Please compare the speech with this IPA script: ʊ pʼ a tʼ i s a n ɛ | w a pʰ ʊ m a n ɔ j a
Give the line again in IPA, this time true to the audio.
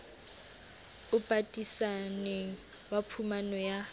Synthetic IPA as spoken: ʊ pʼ a tʼ i s a n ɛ | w a pʰ u m a n ɔ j a

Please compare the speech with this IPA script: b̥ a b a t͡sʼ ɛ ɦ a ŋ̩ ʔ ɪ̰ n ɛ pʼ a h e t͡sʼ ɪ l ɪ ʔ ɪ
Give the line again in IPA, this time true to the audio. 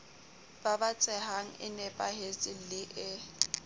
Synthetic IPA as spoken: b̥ a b a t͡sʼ ɛ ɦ a ŋ̩ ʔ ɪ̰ n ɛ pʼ a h e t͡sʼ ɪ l ɪ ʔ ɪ

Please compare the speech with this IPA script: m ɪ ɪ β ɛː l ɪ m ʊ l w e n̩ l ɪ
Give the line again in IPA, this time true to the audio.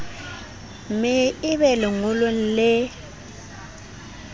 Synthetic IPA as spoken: m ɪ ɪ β ɛ l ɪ ŋ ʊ l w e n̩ l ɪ

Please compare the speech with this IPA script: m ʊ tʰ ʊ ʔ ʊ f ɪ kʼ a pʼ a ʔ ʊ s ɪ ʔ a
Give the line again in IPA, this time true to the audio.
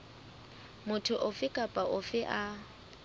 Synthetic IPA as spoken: m ʊ tʰ ʊ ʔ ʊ f ɪ kʼ a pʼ a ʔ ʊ f ɪ ʔ a

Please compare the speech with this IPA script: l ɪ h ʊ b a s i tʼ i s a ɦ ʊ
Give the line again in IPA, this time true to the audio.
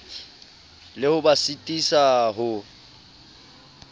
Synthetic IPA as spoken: l ɪ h ʊ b a s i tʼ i s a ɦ ʊ

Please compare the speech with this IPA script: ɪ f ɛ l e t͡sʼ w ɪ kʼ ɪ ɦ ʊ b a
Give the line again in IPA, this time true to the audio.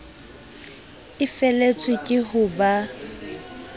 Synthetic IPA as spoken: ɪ f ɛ l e t͡sʼ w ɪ kʼ ɪ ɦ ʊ b a

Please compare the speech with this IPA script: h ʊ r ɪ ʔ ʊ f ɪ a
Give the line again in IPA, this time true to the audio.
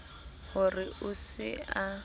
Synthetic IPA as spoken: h ʊ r ɪ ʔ ʊ s ɪ a

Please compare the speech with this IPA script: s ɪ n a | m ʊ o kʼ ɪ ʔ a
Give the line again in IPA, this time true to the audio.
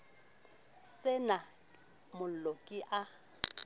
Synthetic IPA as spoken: s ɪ n a | m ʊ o kʼ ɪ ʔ a

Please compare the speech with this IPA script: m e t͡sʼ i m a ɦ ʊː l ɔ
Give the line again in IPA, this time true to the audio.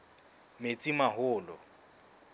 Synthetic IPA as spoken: m e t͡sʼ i m a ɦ ʊː l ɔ

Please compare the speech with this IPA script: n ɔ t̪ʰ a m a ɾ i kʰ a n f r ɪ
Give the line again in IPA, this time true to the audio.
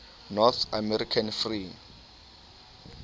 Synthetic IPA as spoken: n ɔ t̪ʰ a m ɛ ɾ i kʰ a n f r i

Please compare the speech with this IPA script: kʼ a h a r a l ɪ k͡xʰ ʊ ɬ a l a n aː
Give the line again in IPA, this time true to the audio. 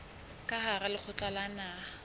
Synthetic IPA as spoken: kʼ a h a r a l ɪ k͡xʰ ʊ t͡ɬ a l a n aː

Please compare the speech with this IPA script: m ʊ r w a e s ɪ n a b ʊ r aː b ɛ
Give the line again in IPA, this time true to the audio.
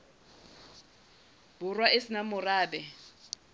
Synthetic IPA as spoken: b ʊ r w a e s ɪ n a m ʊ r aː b ɛ

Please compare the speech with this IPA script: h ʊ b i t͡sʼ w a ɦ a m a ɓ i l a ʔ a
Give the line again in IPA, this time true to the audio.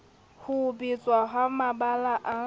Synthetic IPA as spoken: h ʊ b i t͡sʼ w a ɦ a m a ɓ a l a ʔ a

